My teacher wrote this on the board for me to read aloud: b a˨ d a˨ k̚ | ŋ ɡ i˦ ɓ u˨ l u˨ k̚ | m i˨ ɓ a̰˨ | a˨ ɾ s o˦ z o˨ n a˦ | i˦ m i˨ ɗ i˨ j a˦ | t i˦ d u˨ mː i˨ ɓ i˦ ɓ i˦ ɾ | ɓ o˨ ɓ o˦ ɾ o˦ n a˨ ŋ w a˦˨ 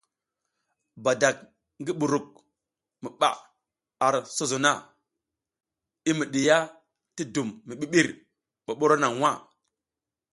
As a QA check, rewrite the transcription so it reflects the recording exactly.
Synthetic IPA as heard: b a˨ d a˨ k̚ | ŋ ɡ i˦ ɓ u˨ ɾ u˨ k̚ | m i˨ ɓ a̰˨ | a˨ ɾ s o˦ z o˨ n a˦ | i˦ m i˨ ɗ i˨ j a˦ | t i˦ d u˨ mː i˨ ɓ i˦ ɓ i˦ ɾ | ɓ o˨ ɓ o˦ ɾ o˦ n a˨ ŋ w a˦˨